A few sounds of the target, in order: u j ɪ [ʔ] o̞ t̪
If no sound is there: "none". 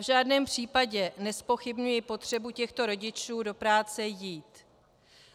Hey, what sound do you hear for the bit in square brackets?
p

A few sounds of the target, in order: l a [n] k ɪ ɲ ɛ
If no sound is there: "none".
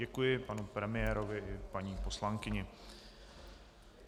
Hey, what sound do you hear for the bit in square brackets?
ŋ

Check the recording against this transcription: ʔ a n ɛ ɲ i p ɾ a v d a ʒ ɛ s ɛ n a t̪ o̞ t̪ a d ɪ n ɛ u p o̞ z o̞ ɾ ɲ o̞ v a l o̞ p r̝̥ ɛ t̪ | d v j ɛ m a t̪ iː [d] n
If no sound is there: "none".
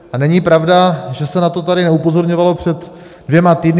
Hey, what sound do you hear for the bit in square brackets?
d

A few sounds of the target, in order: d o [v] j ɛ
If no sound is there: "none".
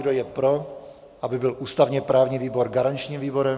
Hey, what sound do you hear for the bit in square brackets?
none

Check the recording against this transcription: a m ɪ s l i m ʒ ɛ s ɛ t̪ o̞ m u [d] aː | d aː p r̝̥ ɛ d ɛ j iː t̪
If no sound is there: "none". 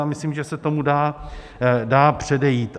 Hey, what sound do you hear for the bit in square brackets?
d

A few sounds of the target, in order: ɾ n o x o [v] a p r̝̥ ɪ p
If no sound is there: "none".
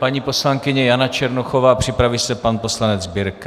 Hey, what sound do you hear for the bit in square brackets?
v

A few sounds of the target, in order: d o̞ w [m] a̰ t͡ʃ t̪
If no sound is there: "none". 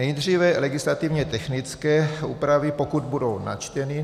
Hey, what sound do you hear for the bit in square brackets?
n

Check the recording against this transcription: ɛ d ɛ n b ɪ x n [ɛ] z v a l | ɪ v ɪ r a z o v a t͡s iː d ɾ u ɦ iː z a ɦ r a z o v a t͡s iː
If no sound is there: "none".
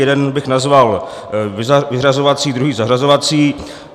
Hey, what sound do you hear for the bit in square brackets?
a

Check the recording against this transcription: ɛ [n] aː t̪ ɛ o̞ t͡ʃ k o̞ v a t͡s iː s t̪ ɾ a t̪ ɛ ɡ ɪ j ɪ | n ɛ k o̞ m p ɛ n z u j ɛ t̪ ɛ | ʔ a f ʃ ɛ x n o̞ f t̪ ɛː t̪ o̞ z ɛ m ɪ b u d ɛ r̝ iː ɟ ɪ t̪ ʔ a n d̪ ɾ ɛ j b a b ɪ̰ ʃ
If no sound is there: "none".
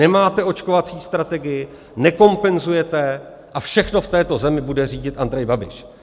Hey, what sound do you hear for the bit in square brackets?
m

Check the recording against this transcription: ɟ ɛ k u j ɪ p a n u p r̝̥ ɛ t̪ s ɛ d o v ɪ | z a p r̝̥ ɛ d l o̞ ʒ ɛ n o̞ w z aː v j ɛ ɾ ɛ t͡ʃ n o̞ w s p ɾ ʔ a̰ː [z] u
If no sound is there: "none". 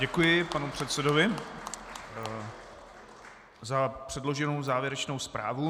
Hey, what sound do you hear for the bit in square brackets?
v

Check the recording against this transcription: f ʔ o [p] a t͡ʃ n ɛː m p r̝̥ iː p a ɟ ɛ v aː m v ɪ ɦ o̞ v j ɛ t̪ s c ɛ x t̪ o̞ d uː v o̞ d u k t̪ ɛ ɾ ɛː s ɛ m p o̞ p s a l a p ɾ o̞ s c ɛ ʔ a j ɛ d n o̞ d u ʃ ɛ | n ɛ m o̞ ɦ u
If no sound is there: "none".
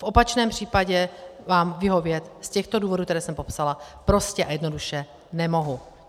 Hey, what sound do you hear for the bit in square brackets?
p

